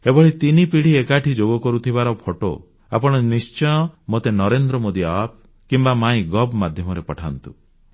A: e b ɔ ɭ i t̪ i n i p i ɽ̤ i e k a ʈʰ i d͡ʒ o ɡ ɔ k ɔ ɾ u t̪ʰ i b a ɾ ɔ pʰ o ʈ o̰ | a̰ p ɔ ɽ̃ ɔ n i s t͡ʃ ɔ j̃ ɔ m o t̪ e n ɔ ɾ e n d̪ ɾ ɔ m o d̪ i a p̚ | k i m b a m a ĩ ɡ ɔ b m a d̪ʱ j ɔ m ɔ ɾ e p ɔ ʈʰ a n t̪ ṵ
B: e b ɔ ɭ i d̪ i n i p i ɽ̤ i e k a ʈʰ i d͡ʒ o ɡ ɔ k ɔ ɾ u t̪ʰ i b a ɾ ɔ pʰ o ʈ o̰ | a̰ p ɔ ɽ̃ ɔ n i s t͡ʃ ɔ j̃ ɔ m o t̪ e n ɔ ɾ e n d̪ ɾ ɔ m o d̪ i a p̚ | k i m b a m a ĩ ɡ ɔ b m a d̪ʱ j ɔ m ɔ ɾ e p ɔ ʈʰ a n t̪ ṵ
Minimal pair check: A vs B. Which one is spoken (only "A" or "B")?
A